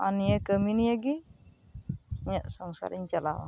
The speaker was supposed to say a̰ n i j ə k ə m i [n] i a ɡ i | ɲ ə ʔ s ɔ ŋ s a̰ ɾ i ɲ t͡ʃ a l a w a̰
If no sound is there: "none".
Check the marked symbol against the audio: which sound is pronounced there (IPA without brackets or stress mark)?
n